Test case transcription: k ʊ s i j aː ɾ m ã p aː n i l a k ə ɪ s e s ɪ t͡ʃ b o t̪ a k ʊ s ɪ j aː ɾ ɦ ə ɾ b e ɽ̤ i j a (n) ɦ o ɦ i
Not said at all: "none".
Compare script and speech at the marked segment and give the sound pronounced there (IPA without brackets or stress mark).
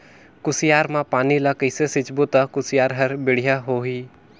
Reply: none